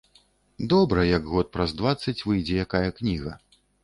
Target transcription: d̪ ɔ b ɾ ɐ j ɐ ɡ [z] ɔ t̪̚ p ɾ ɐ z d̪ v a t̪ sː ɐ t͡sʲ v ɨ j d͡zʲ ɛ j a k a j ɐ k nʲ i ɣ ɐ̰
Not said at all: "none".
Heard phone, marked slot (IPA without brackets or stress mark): ɣ